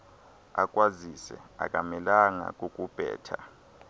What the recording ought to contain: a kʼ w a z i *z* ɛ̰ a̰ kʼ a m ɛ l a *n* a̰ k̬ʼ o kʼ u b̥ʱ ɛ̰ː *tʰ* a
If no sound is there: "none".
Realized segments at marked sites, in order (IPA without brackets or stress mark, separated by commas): s, ŋ, tʰ